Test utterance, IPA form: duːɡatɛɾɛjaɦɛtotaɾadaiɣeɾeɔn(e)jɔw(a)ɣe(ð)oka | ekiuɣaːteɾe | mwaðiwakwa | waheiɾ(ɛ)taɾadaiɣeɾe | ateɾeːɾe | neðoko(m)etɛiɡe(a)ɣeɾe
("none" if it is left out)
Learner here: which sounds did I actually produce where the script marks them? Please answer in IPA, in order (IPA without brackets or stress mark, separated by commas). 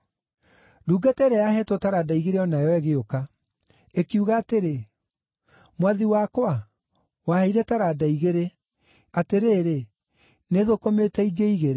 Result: a, ɛ, none, ɛ, m, i